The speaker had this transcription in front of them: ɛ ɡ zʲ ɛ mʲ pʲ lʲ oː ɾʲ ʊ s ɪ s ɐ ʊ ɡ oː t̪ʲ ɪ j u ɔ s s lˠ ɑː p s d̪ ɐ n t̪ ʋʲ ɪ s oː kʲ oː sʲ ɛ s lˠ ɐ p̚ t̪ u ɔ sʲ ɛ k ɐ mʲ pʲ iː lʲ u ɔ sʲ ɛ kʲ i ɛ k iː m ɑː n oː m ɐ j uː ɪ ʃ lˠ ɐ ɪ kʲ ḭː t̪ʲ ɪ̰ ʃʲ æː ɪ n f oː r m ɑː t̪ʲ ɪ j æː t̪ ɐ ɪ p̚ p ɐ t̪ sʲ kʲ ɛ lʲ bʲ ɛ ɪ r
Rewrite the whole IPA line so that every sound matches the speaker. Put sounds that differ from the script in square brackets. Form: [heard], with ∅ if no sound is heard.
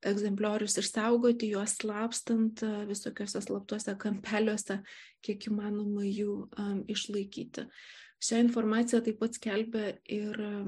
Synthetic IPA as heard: ɛ ɡ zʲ ɛ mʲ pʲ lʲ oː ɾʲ ʊ s ɪ s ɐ ʊ ɡ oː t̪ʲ ɪ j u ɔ s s lˠ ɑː p s [t̪] ɐ n t̪ ʋʲ ɪ s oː kʲ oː sʲ ɛ s lˠ ɐ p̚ t̪ u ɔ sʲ ɛ k ɐ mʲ pʲ [æː] lʲ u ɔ sʲ ɛ kʲ i ɛ k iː m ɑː n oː m ɐ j uː ɪ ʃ lˠ ɐ ɪ kʲ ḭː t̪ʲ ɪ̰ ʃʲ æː ɪ n f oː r m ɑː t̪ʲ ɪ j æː t̪ ɐ ɪ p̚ p ɐ t̪ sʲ kʲ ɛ lʲ bʲ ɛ ɪ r